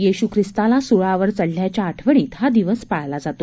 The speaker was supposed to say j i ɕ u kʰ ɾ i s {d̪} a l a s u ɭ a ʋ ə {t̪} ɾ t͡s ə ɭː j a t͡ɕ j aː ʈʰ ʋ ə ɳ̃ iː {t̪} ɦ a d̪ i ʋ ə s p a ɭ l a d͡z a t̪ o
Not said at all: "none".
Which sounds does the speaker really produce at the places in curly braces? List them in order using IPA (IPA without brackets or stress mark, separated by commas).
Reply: t̪, none, t̪